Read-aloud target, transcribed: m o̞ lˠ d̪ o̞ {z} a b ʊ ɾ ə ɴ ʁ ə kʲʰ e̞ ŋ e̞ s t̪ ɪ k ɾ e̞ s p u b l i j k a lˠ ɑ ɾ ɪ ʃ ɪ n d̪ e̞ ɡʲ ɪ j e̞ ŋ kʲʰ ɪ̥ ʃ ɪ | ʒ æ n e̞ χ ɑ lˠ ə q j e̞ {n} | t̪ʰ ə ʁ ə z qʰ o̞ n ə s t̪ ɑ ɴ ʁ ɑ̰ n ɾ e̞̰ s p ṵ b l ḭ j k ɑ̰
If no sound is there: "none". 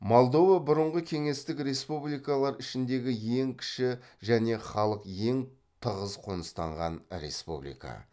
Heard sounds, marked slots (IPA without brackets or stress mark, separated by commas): v, ŋ